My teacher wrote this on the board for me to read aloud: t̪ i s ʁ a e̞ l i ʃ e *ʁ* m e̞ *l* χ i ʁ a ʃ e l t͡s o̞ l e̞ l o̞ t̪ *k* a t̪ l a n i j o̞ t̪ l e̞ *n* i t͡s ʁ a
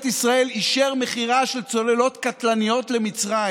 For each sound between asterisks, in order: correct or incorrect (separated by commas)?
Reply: correct, incorrect, correct, incorrect